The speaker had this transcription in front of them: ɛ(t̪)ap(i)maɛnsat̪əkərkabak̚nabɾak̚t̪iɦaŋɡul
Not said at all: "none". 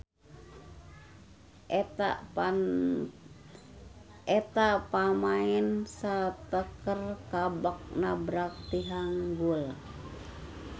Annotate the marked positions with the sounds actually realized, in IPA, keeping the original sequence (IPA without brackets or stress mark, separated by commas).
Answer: t̪, a